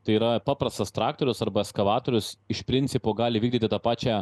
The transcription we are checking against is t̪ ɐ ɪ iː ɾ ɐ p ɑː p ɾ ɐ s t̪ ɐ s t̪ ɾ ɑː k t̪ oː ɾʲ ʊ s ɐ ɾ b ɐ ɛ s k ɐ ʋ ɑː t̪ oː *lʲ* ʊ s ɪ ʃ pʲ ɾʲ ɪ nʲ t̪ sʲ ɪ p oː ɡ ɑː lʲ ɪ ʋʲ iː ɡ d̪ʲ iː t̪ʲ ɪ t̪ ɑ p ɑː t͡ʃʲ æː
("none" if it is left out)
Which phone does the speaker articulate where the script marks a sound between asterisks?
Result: ɾʲ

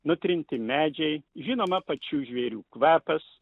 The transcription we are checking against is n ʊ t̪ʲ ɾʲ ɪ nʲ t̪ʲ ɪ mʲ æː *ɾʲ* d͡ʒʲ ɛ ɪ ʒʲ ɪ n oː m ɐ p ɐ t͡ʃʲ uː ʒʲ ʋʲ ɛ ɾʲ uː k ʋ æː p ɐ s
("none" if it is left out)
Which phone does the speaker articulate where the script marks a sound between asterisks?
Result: none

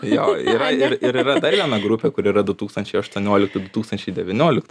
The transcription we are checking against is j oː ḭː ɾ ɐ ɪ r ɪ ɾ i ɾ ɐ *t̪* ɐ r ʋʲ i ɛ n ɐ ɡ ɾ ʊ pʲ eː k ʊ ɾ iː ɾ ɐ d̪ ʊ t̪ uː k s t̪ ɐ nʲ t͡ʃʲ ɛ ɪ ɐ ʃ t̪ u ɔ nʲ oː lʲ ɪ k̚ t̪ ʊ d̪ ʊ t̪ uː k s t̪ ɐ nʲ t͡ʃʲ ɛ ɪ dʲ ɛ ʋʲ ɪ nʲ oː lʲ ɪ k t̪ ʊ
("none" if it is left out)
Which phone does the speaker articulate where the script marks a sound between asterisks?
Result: d̪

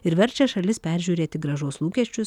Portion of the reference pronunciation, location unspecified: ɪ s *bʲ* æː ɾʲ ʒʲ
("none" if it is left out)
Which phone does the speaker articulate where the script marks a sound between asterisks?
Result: pʲ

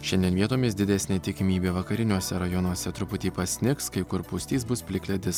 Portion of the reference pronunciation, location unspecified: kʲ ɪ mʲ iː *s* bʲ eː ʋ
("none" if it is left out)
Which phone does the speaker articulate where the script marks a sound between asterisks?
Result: none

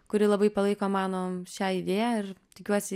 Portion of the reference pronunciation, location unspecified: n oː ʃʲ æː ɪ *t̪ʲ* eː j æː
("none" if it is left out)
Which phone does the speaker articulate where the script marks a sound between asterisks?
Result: d̪ʲ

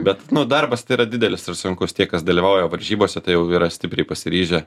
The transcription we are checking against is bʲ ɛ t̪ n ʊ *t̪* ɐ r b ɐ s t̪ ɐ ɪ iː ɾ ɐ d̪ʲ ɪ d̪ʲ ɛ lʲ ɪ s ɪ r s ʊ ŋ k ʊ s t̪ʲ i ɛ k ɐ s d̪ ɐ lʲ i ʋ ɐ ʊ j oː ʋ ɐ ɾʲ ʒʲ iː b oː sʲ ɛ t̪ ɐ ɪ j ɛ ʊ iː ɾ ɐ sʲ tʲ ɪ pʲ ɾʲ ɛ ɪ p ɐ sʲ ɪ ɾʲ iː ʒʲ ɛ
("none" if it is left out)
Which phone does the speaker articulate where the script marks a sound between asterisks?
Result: d̪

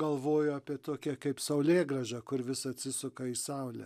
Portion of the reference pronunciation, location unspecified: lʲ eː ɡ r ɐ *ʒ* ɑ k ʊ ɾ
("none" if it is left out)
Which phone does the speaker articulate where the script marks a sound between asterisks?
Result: ʒ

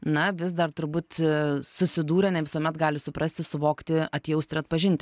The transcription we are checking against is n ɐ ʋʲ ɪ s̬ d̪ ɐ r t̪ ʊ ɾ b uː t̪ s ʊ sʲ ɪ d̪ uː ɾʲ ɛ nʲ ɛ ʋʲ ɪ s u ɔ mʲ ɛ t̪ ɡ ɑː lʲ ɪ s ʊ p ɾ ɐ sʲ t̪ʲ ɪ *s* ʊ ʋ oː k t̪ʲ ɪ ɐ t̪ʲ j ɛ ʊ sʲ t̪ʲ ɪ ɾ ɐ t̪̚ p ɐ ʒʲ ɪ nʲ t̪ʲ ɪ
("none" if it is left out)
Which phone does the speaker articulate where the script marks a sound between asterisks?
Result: s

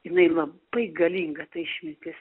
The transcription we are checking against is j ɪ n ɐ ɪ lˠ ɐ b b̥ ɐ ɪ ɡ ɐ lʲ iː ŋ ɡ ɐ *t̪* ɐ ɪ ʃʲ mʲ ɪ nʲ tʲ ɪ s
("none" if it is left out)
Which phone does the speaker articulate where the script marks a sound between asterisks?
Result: t̪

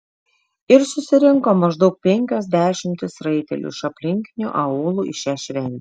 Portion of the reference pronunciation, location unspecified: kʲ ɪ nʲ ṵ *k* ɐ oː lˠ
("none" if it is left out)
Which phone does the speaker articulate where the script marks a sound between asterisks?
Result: ʔ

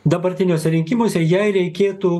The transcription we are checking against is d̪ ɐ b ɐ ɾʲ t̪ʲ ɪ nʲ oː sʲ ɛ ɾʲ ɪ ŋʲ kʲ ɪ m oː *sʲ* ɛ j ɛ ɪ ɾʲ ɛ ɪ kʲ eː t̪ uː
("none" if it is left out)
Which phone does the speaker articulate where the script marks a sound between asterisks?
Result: sʲ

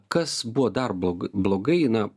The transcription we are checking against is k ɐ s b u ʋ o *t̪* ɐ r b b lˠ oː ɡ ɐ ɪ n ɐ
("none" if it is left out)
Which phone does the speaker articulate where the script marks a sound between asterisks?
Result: d̪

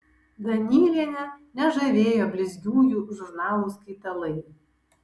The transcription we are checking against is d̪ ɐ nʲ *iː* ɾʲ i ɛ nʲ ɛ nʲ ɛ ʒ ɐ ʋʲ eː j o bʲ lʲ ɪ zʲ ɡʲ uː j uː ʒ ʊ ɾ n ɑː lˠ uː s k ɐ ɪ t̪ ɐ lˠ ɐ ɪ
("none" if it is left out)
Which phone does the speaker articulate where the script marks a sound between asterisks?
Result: iː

